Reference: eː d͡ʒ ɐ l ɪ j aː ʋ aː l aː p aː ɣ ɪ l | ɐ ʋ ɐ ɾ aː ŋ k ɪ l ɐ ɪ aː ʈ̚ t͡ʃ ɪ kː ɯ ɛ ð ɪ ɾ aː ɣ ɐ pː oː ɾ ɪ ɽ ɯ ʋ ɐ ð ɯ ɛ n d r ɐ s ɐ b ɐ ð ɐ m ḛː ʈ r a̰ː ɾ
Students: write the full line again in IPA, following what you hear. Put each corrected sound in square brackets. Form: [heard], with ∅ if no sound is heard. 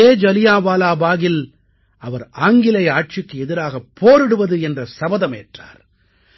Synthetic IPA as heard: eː d͡ʒ ɐ l ɪ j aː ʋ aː l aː [b] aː ɣ ɪ l | ɐ ʋ ɐ ɾ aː ŋ [ɡ] ɪ l ɐ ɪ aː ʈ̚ t͡ʃ ɪ kː ɯ ɛ ð ɪ ɾ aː ɣ ɐ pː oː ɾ ɪ ɽ ɯ ʋ ɐ ð ɯ ɛ n d r ɐ s ɐ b ɐ ð ɐ m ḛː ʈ r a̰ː ɾ